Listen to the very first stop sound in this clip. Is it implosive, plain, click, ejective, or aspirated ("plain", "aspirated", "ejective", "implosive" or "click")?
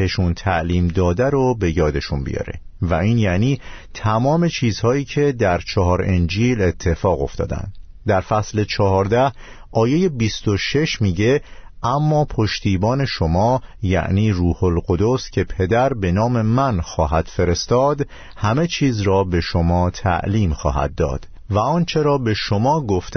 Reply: aspirated